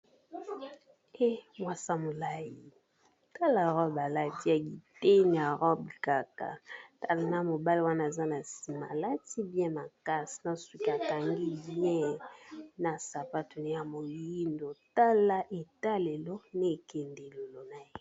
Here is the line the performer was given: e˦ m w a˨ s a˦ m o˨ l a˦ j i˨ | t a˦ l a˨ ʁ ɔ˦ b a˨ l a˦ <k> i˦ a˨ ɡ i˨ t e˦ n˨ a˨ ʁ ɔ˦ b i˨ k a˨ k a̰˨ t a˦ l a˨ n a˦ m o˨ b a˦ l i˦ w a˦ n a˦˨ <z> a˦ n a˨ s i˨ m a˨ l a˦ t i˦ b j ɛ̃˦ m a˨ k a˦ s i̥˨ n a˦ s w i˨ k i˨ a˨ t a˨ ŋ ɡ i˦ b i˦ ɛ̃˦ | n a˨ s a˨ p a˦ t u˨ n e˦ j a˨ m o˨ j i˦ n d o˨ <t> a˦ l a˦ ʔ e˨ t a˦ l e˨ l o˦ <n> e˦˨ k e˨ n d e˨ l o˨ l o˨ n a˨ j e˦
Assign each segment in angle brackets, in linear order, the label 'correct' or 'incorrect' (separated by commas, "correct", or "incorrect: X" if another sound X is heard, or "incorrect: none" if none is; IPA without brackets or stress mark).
incorrect: t, correct, correct, correct